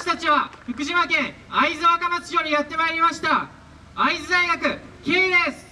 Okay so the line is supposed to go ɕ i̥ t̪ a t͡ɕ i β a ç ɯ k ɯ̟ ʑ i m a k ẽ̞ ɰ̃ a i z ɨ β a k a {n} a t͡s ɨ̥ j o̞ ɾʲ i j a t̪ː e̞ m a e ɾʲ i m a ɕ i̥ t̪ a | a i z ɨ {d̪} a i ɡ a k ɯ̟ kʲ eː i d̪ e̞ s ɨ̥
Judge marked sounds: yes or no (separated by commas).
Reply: no, yes